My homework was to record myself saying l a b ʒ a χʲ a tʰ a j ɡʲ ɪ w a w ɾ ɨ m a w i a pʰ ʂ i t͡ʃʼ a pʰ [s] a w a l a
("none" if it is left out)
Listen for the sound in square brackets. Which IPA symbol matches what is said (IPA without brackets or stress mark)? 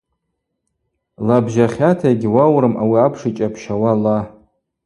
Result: ʃ